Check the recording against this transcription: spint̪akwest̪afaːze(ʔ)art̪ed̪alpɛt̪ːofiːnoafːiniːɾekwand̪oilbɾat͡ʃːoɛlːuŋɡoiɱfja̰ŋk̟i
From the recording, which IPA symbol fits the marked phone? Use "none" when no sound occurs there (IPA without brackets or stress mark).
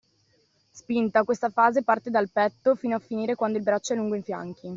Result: p